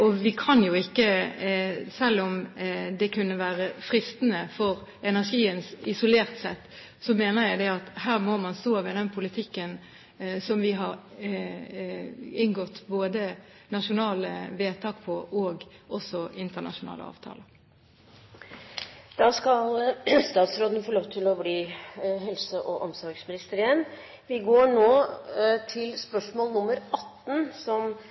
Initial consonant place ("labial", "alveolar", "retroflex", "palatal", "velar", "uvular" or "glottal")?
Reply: labial